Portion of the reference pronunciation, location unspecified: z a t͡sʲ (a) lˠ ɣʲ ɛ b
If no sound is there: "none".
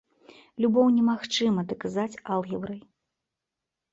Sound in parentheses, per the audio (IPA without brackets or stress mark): a